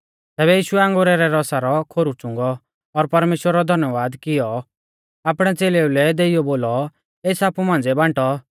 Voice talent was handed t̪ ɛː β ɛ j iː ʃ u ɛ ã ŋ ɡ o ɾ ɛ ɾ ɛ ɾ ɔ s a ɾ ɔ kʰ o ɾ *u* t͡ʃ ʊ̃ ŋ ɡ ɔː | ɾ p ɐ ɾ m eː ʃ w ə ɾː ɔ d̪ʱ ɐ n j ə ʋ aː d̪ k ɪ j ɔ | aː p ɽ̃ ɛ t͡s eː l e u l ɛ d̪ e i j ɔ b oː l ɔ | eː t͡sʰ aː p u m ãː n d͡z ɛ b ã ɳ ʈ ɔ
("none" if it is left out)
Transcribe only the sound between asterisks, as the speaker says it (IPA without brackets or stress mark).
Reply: u